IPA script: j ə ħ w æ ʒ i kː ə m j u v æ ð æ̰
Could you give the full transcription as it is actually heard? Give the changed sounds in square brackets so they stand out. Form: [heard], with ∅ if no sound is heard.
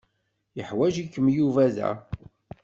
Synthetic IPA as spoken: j ə ħ w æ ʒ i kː ə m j u v æ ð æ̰